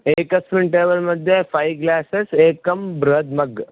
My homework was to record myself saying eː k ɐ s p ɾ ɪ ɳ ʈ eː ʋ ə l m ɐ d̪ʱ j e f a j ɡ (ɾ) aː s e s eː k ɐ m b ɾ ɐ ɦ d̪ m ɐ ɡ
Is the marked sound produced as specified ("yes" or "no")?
no